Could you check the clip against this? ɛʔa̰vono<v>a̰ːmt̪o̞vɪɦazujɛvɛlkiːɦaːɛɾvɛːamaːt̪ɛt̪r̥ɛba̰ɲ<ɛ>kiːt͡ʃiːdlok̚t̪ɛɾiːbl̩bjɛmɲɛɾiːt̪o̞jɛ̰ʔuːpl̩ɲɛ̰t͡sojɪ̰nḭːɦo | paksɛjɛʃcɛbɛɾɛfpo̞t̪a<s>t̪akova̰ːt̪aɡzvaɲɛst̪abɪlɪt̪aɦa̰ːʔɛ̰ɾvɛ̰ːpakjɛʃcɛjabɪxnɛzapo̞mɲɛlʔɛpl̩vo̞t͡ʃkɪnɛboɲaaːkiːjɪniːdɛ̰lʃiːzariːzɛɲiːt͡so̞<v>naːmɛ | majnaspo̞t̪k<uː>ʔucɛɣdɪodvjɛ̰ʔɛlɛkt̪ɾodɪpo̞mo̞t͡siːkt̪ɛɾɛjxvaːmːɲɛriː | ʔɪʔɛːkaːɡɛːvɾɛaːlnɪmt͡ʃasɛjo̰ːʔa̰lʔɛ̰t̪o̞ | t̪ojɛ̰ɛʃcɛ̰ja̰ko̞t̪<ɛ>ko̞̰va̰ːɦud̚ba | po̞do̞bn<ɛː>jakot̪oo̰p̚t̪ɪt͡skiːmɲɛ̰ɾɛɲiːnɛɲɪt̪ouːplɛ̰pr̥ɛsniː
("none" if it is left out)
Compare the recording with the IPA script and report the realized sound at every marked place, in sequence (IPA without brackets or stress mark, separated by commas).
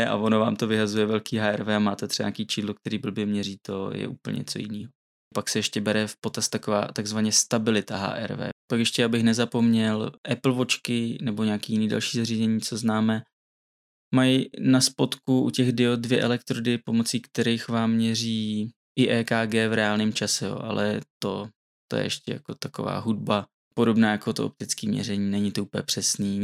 v, a, s, z, u, a, aː